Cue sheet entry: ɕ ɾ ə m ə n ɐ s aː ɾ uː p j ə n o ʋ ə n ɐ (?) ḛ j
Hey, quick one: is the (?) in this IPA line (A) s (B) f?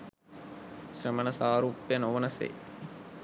A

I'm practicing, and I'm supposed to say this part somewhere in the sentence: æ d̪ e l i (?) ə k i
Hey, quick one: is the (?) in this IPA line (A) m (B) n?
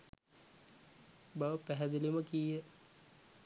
A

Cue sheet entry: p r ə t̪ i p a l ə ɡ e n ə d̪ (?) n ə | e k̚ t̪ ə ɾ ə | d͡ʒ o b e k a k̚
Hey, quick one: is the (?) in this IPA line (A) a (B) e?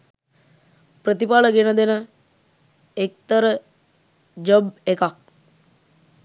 B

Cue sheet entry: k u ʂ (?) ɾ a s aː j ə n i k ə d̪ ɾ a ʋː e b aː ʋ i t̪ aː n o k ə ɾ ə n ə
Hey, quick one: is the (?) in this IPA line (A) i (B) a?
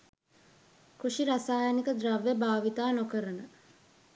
A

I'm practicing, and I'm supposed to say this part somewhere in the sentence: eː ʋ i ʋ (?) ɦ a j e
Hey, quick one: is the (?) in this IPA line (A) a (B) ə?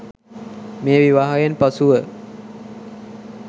A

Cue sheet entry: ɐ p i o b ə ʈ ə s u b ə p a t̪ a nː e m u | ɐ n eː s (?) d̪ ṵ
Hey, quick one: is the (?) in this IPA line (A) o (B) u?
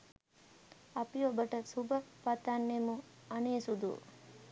B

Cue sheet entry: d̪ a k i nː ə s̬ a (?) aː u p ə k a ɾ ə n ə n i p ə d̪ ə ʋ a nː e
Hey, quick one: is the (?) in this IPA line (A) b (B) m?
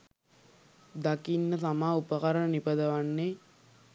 B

